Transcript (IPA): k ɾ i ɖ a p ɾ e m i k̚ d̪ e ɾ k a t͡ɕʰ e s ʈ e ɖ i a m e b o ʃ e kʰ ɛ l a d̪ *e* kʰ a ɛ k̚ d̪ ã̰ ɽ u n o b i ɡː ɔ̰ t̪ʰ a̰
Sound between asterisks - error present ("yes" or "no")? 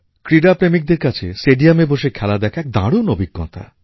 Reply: yes